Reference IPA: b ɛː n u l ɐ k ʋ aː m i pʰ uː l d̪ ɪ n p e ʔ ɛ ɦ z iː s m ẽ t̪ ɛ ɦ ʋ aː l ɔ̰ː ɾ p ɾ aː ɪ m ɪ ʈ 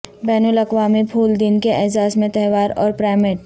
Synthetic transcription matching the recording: b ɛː n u l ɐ k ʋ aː m i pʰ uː l d̪ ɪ n k e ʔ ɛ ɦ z aː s m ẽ t̪ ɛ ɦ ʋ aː ɾ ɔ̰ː ɾ p ɾ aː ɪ m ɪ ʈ